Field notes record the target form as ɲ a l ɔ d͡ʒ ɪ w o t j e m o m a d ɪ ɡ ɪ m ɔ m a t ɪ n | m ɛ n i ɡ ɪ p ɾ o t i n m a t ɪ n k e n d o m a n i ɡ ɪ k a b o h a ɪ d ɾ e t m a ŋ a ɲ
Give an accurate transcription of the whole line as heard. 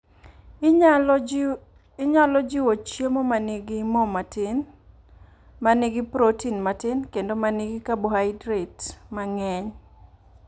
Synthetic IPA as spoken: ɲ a l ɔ d͡ʒ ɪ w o t͡ʃ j e m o m a n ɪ ɡ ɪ m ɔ m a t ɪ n | m a n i ɡ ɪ p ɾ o t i n m a t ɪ n k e n d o m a n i ɡ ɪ k a b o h a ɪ d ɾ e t m a ŋ ɛ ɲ

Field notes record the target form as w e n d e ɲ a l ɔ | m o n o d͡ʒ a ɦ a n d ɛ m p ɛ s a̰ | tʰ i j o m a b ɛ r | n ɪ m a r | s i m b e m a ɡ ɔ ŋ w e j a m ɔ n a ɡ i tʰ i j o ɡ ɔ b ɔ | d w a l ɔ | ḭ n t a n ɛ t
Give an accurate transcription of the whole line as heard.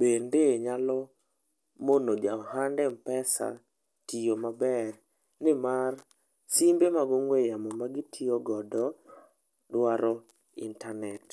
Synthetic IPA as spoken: b e n d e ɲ a l ɔ | m o n o d͡ʒ a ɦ a n d ɛ m p ɛ s a̰ | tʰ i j o m a b ɛ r | n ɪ m a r | s i m b e m a ɡ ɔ ŋ w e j a m ɔ m a ɡ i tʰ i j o ɡ ɔ d ɔ | d w a ɾ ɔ | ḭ n t a n ɛ t

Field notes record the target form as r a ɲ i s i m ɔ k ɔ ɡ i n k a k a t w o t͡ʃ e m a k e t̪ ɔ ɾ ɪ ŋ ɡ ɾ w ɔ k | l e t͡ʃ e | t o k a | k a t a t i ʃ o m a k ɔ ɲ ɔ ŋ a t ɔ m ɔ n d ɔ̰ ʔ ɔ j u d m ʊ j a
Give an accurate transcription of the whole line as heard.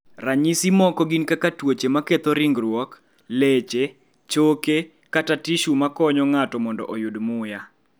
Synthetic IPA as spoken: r a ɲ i s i m ɔ k ɔ ɡ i n k a k a t w o t͡ʃ e m a k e t̪ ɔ ɾ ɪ ŋ ɡ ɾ w ɔ k | l e t͡ʃ e | t͡ʃ o k e | k a t a t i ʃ u m a k ɔ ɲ ɔ ŋ a t ɔ m ɔ n d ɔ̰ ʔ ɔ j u d m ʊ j a

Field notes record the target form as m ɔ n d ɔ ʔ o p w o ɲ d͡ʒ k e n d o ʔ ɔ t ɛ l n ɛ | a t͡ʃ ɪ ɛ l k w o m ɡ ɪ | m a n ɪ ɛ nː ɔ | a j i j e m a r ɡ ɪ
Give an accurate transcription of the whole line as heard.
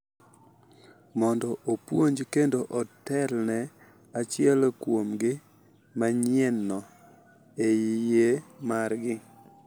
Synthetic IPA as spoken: m ɔ n d ɔ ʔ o p w o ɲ d͡ʒ k e n d o ʔ ɔ t ɛ l n ɛ | a t͡ʃ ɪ ɛ l k w o m ɡ ɪ | m a ɲ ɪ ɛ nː ɔ | e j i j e m a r ɡ ɪ

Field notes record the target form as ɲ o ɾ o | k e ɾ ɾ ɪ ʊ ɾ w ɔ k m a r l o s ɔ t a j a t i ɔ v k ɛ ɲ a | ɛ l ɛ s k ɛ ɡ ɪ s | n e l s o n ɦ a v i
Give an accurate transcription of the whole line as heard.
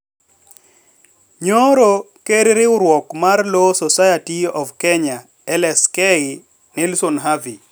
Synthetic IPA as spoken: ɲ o ɾ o | k e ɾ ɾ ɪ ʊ ɾ w ɔ k m a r l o s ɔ s a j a t i ɔ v k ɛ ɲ a | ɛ l ɛ s k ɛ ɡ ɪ | n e l s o n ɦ a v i

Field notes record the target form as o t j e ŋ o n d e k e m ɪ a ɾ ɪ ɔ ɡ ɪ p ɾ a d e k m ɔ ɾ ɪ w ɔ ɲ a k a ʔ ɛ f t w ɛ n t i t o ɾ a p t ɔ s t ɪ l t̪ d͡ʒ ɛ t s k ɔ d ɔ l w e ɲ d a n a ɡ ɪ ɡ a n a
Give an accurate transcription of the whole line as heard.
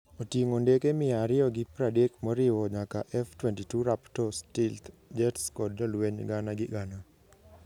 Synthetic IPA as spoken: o t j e ŋ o n d e k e m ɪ a ɾ ɪ ɔ ɡ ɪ p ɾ a d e k m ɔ ɾ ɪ w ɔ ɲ a k a ʔ ɛ f t w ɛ n t i t u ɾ a p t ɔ s t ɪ l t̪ d͡ʒ ɛ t s k ɔ d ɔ l w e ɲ ɡ a n a ɡ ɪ ɡ a n a

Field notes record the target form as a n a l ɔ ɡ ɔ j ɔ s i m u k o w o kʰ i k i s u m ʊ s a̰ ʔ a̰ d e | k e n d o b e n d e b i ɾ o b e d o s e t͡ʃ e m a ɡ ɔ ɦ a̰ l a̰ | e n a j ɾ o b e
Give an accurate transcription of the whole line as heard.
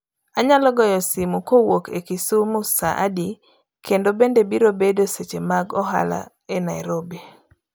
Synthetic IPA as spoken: a ɲ a l ɔ ɡ ɔ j ɔ s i m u k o w o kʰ e k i s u m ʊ s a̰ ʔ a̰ d i | k e n d o b e n d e b i ɾ o b e d o s e t͡ʃ e m a ɡ ɔ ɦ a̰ l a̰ | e n a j ɾ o b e

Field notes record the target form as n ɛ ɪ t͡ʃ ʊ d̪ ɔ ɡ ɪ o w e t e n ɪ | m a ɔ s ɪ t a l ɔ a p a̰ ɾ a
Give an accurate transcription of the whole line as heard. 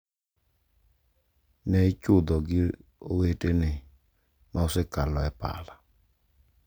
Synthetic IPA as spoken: n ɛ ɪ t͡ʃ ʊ d̪ ɔ ɡ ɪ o w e t e n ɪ | m a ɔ s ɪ k a l ɔ ɛ p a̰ l a

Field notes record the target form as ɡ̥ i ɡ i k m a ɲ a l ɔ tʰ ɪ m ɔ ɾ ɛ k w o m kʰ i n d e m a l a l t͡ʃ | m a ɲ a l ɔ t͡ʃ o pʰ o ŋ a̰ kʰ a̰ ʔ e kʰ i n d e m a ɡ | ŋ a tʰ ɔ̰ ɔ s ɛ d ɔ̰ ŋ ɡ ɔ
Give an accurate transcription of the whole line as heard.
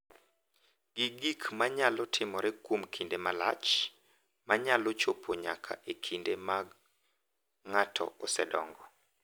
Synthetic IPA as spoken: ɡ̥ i ɡ i k m a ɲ a l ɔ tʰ ɪ m ɔ ɾ ɛ k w o m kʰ i n d e m a l a t͡ʃ | m a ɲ a l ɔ t͡ʃ o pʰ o ɲ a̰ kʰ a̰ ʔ e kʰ i n d e m a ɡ | ŋ a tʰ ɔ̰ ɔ s ɛ d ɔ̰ ŋ ɡ ɔ

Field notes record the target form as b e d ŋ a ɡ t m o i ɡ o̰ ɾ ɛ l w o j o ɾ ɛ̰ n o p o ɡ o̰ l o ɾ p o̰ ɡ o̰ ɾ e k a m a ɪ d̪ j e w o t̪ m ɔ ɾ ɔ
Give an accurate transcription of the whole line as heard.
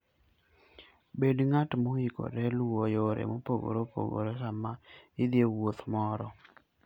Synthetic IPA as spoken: b e d ŋ a t m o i k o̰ ɾ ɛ l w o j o ɾ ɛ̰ m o p o ɡ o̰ ɾ o p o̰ ɡ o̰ ɾ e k a m a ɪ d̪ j e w o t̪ m ɔ ɾ ɔ

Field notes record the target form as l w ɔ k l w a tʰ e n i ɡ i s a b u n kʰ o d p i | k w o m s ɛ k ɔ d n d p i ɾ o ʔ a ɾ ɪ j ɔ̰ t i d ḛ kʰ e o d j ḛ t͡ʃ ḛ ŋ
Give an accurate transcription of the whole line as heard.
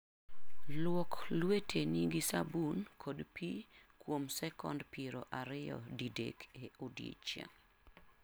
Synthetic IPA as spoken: l w ɔ k l w e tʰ e n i ɡ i s a b u n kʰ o d p i | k w o m s ɛ k ɔ n d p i ɾ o ʔ a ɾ ɪ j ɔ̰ d i d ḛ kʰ e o d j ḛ t͡ʃ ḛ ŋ

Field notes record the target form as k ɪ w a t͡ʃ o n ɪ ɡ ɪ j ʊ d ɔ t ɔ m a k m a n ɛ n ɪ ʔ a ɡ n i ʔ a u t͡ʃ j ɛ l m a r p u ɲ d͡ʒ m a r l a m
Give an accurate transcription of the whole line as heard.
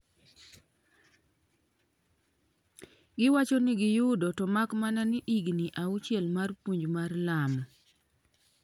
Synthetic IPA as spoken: ɡ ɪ w a t͡ʃ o n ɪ ɡ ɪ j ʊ d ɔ t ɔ m a k m a n a n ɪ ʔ i ɡ n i ʔ a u t͡ʃ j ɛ l m a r p u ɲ d͡ʒ m a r l a m

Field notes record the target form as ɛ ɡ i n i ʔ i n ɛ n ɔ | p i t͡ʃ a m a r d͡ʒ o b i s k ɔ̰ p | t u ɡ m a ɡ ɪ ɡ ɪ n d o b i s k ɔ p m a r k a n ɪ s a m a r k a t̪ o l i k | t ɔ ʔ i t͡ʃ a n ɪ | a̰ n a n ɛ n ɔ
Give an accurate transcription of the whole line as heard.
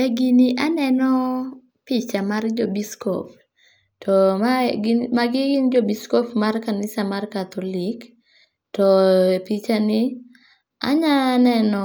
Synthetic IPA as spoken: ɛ ɡ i n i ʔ a n ɛ n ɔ | p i t͡ʃ a m a r d͡ʒ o b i s k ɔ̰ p | t ɔ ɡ m a ɡ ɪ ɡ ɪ n d͡ʒ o b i s k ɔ p m a r k a n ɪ s a m a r k a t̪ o l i k | t ɔ p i t͡ʃ a n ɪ | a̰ ɲ a n ɛ n ɔ

